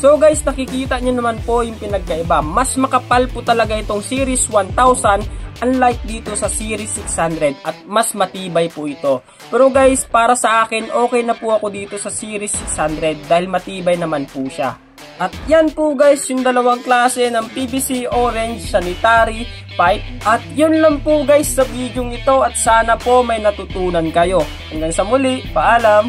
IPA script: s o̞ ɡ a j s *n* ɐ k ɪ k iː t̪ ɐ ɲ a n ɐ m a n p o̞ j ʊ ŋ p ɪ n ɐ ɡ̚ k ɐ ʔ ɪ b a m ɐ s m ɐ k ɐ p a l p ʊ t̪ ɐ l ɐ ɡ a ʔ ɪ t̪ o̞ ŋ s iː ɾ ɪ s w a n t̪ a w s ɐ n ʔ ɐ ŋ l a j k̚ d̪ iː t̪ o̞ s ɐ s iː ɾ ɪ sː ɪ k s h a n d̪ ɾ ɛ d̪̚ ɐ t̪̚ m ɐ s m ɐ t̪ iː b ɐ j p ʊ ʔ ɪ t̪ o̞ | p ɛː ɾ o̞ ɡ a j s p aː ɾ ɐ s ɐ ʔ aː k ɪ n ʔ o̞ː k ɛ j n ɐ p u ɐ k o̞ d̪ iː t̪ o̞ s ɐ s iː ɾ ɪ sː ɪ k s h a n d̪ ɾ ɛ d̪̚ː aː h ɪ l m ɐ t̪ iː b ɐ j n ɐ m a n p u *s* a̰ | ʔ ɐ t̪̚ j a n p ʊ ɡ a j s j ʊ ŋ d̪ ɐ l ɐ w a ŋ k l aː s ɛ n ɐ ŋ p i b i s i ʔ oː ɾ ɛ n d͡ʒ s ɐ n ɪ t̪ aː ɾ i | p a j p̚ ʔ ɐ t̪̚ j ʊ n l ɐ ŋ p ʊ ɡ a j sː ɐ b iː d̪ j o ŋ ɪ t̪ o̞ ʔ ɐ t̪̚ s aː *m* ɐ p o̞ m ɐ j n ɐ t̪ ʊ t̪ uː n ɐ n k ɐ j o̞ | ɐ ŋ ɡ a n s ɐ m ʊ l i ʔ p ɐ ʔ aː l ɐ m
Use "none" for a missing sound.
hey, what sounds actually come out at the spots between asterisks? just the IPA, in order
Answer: n, ʃ, n

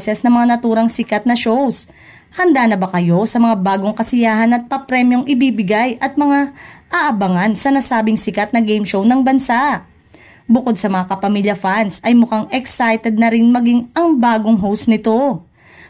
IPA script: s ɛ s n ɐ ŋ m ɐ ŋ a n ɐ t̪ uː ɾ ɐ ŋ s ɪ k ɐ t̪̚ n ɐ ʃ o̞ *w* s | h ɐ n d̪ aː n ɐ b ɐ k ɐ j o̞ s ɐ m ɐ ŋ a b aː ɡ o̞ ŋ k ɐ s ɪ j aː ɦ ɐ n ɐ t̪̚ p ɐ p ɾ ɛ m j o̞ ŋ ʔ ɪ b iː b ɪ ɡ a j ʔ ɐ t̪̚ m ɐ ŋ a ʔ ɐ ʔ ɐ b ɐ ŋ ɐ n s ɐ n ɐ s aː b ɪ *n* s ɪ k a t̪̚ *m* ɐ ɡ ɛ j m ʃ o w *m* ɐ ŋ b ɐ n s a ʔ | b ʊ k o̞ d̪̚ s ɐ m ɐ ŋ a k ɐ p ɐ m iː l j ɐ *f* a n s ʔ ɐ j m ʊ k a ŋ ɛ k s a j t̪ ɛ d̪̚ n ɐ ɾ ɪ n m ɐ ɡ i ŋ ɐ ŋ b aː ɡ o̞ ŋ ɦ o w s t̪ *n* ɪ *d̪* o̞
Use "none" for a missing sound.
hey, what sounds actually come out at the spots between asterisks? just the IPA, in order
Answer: w, ŋ, n, n, f, n, t̪

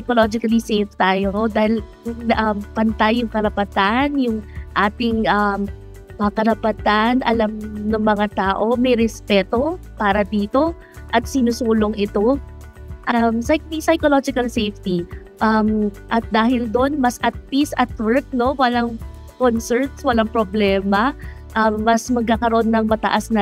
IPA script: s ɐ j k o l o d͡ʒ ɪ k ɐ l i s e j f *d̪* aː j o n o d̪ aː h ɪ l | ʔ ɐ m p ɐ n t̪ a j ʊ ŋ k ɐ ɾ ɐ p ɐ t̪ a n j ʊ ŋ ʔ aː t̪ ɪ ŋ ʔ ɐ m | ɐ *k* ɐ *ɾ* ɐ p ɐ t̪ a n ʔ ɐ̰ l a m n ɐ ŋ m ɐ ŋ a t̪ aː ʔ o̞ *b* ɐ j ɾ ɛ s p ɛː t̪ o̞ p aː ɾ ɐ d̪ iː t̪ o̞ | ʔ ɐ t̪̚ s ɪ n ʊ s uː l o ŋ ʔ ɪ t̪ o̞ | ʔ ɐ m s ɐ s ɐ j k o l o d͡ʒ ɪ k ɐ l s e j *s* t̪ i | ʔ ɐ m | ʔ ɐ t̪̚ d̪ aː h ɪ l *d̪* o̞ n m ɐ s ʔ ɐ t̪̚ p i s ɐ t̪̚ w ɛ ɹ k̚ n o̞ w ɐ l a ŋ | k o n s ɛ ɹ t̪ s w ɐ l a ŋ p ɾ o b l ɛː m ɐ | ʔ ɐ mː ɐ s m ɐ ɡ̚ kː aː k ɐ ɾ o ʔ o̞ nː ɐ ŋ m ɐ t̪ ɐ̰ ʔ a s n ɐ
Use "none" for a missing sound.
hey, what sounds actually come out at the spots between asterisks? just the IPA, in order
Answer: t̪, k, ɾ, m, f, d̪

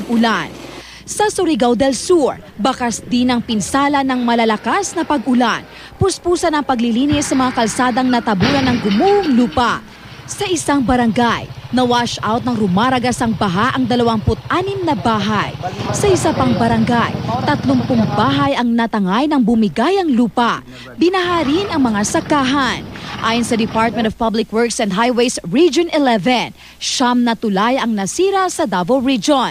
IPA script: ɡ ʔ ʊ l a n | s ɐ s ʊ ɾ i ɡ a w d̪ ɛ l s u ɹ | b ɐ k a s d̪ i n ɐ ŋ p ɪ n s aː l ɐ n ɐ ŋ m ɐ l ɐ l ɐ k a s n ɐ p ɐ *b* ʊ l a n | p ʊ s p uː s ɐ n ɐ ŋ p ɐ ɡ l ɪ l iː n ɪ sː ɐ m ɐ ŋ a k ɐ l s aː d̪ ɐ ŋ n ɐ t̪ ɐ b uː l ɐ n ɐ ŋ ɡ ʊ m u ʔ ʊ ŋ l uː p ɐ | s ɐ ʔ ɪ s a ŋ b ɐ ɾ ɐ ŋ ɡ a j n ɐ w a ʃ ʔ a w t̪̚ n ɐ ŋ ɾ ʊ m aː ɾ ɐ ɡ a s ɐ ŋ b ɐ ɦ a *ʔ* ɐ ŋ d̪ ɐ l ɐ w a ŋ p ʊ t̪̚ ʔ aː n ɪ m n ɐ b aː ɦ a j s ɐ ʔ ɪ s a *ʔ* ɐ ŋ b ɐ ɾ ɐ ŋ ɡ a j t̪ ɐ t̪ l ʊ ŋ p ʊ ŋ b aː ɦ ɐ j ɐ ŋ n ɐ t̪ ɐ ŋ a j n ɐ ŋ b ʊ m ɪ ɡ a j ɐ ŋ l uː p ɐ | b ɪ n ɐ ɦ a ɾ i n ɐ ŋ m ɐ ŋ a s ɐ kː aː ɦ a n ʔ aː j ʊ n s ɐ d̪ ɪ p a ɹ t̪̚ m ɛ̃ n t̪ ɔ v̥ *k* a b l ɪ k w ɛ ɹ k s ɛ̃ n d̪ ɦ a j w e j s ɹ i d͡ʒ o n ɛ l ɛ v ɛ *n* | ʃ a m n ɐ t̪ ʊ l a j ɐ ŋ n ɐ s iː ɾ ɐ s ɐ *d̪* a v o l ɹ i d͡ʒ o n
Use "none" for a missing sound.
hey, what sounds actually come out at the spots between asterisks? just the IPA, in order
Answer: ɡ, ʔ, p, p, n, d̪

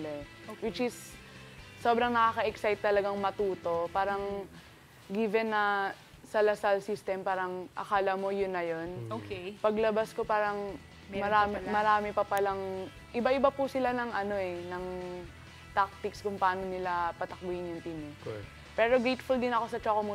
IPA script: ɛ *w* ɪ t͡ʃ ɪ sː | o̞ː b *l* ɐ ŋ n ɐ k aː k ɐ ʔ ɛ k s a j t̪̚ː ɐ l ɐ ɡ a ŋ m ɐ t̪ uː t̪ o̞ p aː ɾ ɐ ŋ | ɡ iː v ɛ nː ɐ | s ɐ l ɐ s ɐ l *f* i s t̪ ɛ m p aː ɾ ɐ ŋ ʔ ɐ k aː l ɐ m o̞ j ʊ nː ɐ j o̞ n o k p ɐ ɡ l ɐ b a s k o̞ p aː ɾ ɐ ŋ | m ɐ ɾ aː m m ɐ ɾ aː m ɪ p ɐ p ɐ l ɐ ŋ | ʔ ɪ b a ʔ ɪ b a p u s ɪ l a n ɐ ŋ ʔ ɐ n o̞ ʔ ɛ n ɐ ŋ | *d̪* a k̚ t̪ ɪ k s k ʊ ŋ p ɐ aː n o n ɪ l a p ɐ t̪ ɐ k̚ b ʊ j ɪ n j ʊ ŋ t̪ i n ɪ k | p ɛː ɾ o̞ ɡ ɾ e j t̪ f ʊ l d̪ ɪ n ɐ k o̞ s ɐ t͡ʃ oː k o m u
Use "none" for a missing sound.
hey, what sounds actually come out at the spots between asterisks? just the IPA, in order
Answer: w, ɾ, s, t̪

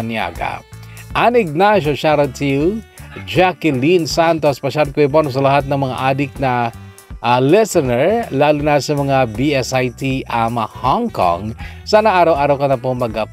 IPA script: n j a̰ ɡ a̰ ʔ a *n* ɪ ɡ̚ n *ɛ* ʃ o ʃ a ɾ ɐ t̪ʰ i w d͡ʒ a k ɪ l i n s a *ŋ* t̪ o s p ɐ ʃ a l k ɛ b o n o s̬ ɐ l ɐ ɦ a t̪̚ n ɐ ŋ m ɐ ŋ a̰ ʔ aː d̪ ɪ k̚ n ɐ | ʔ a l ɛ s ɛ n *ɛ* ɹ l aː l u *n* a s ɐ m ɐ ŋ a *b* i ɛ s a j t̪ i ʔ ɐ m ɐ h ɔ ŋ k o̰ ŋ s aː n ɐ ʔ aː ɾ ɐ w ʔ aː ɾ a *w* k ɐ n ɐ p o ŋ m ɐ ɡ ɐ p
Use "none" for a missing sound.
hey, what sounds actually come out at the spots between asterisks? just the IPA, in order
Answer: n, a, n, ɛ, n, b, w

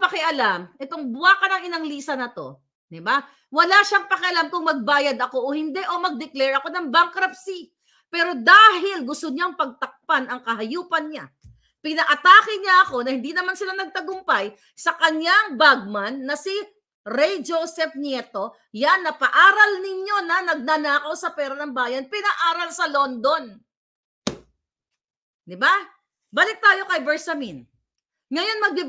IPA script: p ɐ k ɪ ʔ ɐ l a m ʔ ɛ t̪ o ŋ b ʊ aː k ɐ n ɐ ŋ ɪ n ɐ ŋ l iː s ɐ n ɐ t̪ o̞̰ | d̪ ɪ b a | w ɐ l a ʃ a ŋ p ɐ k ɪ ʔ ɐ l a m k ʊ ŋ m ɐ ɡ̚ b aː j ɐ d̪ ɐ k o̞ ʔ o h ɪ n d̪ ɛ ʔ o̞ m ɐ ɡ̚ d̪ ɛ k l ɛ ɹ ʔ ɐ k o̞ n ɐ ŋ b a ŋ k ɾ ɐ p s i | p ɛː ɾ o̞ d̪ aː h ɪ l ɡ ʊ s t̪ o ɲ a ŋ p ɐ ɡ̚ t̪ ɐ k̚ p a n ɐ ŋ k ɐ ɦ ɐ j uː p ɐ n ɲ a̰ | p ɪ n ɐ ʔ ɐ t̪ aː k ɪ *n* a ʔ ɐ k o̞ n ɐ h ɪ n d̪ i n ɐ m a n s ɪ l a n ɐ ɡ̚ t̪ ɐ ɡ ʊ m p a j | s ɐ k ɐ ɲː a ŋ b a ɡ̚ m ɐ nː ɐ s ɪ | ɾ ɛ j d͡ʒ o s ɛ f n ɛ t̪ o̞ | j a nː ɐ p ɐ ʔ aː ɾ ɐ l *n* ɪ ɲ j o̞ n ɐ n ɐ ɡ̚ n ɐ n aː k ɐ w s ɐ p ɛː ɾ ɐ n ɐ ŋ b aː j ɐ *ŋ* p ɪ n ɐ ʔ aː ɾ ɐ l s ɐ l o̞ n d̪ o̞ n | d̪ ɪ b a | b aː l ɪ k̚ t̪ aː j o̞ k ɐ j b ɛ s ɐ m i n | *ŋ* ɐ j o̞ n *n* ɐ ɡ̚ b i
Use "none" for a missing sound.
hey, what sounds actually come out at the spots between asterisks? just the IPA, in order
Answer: ɲ, n, n, ŋ, m

